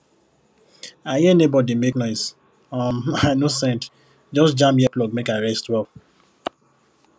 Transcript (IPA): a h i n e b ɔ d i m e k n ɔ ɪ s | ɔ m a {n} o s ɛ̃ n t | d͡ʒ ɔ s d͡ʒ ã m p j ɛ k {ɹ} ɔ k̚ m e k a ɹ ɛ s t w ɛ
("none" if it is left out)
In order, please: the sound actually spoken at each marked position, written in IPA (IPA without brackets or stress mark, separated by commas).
n, l